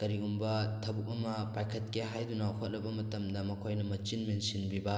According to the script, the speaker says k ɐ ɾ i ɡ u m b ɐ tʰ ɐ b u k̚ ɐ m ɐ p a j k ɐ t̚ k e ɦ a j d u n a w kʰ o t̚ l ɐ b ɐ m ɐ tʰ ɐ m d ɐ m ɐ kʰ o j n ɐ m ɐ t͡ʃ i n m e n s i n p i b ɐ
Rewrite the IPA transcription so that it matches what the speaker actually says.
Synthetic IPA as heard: k ɐ ɾ i ɡ u m b ɐ tʰ ɐ b u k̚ ɐ m ɐ p a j kʰ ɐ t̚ k e ɦ a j d u n a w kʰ o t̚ l ɐ b ɐ m ɐ t ɐ m d ɐ m ɐ kʰ o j n ɐ m ɐ t͡ʃ i n m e n s i n b i b ɐ